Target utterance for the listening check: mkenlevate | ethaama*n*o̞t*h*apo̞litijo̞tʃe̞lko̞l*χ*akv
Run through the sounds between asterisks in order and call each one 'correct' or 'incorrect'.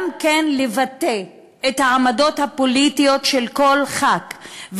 incorrect, correct, correct

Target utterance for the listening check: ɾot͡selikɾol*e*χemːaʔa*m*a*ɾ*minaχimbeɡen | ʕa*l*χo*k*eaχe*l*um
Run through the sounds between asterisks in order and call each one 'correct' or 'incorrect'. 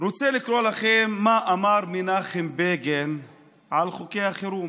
incorrect, correct, correct, correct, correct, incorrect

